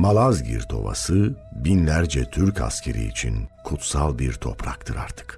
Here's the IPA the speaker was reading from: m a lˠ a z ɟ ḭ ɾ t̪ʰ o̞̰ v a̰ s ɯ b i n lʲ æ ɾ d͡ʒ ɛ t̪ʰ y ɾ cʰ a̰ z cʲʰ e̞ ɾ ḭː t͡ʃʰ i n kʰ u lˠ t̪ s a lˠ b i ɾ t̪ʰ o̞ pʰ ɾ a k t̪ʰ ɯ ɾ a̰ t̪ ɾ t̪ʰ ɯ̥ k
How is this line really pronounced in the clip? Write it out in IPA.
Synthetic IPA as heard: m a lˠ a z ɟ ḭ ɾ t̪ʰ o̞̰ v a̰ s ɯ b i n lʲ æ ɾ d͡ʒ ɛ t̪ʰ y ɾ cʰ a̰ s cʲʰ e̞ ɾ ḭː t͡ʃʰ i n kʰ u t̪ s a lˠ b i ɾ t̪ʰ o̞ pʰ ɾ a k t̪ʰ ɯ ɾ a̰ ɾ t̪ʰ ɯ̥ k